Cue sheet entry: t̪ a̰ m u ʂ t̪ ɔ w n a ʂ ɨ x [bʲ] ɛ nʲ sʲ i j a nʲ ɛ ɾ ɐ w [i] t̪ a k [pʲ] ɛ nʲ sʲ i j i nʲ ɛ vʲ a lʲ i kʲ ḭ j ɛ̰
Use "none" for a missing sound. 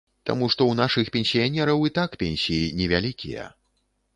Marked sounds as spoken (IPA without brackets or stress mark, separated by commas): pʲ, i, pʲ